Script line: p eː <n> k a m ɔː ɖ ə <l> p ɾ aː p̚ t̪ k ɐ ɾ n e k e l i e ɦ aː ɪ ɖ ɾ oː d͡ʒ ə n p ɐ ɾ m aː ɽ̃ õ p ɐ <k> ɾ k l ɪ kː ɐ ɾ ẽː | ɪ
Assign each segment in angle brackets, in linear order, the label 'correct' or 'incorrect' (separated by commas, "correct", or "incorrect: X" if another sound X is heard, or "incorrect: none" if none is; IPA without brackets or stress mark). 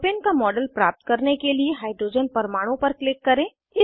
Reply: correct, correct, incorrect: none